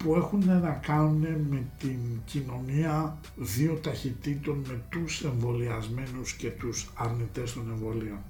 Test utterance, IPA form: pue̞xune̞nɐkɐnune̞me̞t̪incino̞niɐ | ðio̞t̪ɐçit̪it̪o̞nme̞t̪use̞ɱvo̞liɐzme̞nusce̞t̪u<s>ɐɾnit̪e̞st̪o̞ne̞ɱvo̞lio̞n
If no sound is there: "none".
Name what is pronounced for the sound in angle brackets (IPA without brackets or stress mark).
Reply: s